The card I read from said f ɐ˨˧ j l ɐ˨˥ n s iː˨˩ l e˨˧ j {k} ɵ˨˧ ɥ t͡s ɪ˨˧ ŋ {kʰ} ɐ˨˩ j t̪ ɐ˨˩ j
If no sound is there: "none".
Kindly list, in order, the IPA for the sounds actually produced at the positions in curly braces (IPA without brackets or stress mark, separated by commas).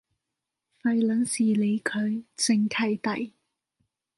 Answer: kʰ, kʰ